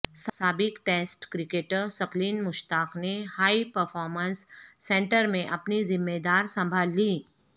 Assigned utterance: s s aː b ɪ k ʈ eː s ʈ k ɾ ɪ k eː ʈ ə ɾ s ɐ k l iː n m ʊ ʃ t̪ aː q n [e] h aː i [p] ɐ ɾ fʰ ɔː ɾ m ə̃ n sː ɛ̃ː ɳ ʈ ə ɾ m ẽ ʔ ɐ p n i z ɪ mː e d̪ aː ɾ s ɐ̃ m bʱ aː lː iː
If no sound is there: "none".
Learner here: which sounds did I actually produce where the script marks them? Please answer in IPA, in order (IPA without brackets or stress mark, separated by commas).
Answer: e, p